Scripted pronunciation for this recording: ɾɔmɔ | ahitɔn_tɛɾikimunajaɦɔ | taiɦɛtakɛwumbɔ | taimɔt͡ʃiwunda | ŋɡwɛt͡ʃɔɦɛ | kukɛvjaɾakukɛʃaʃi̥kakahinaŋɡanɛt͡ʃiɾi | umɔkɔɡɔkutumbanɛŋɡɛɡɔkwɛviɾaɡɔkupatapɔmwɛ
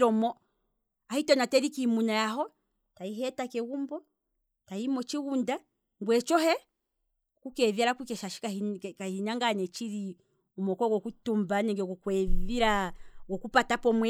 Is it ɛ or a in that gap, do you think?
a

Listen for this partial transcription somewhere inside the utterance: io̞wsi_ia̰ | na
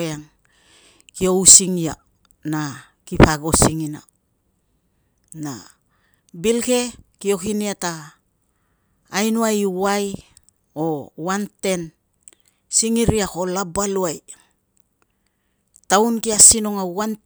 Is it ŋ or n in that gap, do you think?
ŋ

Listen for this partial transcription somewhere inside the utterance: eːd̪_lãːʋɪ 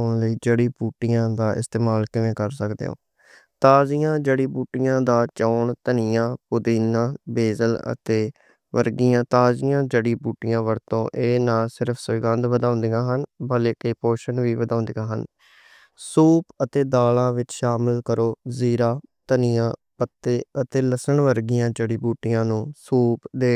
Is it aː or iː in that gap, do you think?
aː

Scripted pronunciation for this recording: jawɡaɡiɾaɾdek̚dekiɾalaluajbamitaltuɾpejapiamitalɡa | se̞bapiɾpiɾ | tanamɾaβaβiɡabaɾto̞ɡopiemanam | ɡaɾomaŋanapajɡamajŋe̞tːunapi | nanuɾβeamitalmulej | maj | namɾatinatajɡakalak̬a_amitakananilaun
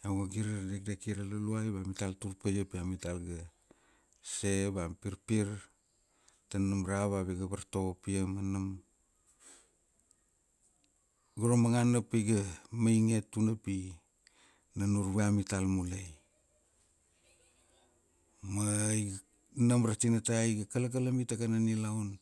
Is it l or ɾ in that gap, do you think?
l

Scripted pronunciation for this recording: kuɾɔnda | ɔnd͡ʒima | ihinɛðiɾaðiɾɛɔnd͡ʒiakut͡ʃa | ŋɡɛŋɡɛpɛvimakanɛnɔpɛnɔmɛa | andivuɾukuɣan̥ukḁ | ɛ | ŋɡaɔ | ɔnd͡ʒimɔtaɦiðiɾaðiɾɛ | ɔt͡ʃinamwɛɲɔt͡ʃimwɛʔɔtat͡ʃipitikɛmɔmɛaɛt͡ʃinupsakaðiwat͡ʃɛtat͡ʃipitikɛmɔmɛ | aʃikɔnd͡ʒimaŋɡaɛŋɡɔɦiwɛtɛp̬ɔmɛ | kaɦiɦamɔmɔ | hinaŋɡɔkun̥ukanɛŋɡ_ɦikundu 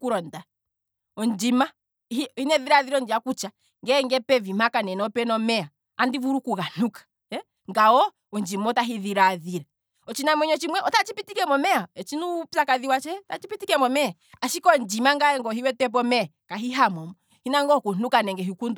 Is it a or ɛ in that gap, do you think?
ɛ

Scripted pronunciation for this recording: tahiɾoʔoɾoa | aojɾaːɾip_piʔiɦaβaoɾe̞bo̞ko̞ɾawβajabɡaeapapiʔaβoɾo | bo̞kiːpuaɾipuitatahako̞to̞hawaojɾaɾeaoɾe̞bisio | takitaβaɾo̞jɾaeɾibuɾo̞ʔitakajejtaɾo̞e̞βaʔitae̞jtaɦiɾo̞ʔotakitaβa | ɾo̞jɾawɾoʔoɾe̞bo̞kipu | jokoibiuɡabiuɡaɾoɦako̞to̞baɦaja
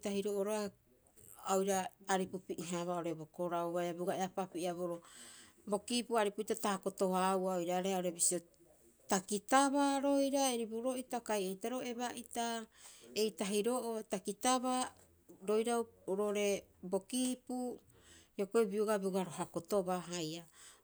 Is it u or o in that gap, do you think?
u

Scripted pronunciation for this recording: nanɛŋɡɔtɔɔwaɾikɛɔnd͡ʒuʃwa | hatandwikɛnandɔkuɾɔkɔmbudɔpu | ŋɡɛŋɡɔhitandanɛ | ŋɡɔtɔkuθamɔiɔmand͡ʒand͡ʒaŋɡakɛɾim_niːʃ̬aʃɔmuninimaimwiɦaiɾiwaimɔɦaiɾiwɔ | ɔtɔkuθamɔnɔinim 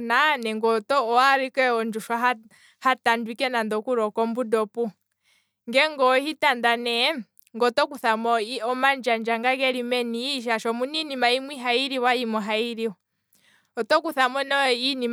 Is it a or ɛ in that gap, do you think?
ɛ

